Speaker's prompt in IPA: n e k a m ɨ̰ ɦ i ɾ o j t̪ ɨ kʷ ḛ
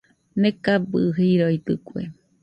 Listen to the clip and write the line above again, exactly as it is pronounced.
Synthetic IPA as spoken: n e k a b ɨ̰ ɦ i ɾ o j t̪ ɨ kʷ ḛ